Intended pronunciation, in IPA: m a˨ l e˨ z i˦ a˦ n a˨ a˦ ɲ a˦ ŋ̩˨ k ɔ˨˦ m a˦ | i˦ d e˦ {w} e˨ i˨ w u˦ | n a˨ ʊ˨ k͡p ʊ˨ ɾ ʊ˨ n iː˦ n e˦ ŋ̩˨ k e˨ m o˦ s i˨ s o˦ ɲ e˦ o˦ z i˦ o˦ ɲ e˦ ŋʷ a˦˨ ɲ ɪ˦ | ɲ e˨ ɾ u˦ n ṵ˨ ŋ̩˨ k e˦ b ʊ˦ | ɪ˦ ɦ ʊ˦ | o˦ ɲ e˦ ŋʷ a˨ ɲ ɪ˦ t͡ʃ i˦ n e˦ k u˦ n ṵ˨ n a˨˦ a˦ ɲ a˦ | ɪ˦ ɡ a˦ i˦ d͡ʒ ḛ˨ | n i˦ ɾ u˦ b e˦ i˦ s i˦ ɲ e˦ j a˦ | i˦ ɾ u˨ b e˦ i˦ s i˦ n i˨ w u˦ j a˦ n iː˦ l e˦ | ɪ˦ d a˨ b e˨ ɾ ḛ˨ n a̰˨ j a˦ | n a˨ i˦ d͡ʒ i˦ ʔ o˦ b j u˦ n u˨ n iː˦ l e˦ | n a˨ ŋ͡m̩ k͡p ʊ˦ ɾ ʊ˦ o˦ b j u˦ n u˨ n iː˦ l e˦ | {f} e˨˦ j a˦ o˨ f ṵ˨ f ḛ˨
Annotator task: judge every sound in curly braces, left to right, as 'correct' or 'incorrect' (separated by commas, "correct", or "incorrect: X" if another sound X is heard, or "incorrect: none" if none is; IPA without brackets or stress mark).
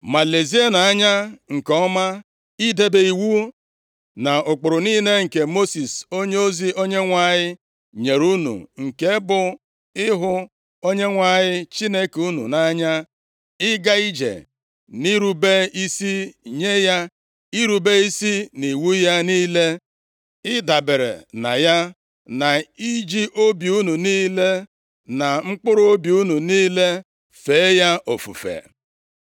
incorrect: b, correct